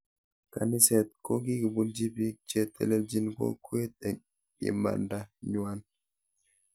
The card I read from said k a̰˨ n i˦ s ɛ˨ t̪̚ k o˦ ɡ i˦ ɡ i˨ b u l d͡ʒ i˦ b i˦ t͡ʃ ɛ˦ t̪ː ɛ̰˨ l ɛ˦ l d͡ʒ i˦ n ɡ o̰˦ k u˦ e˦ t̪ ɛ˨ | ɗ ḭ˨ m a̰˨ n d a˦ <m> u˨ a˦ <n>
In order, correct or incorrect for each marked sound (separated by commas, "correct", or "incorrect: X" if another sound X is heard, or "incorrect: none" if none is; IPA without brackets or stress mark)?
incorrect: ɲ, correct